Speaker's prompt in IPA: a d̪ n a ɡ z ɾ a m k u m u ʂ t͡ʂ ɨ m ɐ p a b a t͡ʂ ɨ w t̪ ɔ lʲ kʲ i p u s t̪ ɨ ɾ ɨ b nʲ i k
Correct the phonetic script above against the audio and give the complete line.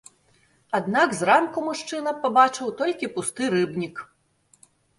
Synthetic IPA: a d̪ n a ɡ z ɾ a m k u m u ʂ t͡ʂ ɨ n ɐ p a b a t͡ʂ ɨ w t̪ ɔ lʲ kʲ i p u s t̪ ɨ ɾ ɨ b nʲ i k